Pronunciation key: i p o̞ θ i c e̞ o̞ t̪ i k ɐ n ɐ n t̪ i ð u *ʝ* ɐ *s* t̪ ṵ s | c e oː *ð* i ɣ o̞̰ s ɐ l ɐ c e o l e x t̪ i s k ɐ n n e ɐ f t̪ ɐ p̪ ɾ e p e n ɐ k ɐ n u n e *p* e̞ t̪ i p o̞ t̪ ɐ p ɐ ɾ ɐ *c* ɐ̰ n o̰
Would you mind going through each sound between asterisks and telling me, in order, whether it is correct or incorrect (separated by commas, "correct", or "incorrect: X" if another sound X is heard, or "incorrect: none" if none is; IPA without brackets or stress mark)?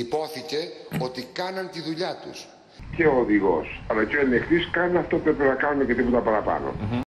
incorrect: ʎ, incorrect: none, correct, incorrect: c, incorrect: p